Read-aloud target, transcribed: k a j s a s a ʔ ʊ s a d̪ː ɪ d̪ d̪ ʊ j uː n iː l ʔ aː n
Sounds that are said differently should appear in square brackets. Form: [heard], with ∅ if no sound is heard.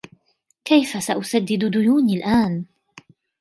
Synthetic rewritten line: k a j [f] a s a ʔ ʊ s a d̪ː ɪ d̪ d̪ ʊ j uː n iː l ʔ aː n